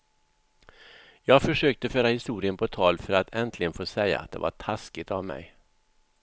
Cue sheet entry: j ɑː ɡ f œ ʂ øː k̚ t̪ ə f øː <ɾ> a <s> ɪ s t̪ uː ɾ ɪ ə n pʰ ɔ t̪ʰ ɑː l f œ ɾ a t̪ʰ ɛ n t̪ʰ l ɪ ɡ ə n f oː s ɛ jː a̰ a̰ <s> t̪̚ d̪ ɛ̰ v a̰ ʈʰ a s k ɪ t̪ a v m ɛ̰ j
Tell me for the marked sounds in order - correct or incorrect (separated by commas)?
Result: correct, incorrect, incorrect